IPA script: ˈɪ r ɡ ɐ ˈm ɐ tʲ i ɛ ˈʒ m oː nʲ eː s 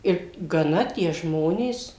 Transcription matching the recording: ˈɪ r ɡ ɐ ˈn ɐ tʲ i ɛ ˈʒ m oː nʲ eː s